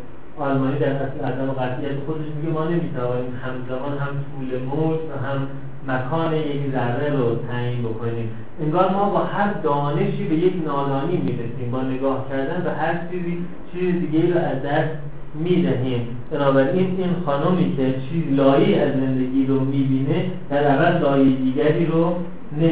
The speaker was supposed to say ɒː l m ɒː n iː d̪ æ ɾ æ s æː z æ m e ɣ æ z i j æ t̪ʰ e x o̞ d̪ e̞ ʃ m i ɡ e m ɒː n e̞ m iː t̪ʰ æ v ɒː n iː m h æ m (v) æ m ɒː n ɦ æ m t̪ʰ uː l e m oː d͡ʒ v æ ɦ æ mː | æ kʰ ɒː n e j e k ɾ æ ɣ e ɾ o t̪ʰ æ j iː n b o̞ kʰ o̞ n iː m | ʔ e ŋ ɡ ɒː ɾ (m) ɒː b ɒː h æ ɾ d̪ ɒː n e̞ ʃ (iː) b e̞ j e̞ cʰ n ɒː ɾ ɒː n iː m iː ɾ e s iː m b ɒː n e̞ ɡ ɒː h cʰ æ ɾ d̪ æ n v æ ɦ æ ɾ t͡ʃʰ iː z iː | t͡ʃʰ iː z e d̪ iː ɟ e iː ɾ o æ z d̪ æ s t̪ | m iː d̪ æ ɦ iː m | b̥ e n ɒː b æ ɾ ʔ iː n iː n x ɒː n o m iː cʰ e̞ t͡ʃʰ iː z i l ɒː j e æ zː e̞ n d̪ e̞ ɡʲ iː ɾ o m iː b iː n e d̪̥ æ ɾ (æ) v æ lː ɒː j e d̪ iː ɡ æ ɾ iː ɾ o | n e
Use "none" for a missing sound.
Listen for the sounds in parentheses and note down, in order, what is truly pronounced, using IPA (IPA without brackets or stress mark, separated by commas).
z, m, iː, æ